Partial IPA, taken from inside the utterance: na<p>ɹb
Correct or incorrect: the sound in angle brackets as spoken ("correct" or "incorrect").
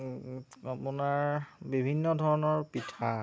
incorrect